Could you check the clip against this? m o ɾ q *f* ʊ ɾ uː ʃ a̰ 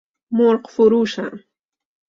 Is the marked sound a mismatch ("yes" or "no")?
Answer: no